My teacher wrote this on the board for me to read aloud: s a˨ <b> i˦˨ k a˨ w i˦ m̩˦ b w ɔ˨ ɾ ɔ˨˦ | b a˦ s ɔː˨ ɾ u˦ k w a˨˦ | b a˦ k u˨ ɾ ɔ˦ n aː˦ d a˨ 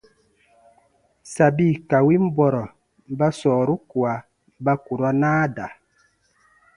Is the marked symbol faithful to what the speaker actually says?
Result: yes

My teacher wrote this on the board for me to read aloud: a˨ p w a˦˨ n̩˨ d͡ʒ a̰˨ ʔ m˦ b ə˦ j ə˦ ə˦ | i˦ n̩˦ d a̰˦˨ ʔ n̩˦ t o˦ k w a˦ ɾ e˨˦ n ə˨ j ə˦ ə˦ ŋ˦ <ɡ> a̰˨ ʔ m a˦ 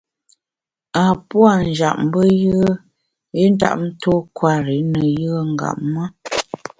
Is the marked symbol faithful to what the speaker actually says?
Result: yes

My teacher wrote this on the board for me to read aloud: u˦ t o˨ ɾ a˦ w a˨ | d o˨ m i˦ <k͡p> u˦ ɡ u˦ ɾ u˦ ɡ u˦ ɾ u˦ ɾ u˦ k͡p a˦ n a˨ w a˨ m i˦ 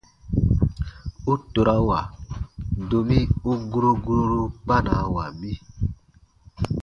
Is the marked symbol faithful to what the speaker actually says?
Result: no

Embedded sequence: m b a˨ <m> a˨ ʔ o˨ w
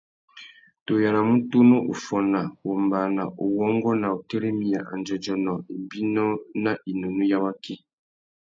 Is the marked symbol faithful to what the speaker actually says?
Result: no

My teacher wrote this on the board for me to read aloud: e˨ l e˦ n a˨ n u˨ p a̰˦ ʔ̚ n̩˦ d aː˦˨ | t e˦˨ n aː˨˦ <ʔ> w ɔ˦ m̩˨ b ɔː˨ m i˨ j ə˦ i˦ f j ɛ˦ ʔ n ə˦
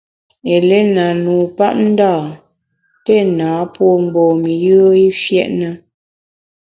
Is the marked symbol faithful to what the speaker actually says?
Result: no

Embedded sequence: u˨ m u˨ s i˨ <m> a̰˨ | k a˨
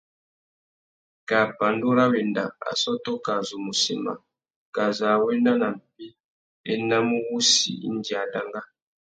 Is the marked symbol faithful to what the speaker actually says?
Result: yes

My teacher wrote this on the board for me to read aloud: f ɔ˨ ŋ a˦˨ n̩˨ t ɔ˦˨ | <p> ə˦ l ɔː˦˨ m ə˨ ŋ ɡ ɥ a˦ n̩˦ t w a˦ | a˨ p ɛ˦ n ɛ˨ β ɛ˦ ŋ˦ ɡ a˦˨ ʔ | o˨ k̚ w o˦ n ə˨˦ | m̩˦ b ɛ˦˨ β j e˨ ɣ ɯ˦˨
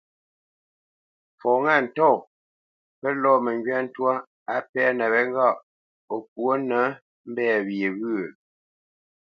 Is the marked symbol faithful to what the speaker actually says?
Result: yes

